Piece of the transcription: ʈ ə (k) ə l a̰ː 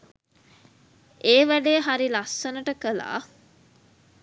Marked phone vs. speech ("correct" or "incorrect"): correct